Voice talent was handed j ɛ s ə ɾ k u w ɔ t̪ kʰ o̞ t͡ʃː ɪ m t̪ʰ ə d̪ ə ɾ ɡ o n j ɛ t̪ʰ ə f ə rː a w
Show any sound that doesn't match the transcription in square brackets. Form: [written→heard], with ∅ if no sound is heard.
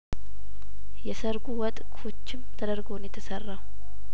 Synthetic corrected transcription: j ɛ s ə ɾ [k→ɡ] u w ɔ [t̪→t̪ʼ] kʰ o̞ t͡ʃː ɪ m t̪ʰ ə d̪ ə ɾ ɡ o n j ɛ t̪ʰ ə [f→s] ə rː a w